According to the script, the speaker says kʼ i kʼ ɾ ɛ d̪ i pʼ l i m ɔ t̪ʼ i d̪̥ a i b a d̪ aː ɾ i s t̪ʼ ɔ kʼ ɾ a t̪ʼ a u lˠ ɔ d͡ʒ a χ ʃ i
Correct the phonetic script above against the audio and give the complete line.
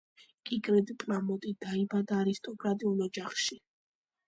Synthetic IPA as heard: kʼ i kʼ ɾ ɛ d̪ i pʼ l a m ɔ t̪ʼ i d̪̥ a i b a d̪ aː ɾ i s t̪ʼ ɔ kʼ ɾ a t̪ʼ i u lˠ ɔ d͡ʒ a χ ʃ i